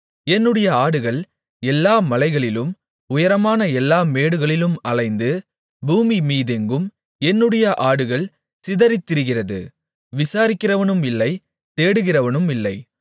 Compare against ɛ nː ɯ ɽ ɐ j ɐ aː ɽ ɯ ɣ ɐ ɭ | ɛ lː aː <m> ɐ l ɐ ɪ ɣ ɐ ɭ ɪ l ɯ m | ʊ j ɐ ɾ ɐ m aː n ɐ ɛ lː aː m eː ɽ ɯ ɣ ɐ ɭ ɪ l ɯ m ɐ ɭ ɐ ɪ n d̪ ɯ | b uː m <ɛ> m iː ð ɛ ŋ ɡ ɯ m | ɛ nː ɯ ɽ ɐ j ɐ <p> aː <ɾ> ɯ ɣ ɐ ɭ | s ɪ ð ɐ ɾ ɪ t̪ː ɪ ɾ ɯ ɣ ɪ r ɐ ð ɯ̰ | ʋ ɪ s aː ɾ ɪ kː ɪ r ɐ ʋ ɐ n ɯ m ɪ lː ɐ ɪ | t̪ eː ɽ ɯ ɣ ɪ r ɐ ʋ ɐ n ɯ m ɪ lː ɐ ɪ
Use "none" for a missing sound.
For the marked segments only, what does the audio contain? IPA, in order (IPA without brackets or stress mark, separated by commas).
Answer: m, i, ʔ, ɽ